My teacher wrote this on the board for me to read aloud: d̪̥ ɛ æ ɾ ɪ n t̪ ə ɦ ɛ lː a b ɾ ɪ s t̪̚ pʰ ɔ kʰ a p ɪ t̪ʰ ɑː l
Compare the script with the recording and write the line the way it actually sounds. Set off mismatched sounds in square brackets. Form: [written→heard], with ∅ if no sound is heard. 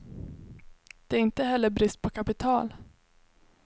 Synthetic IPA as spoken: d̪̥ ɛ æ ɾ ɪ n t̪ ə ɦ ɛ lː [a→ə] b ɾ ɪ s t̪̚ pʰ ɔ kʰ a p ɪ t̪ʰ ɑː l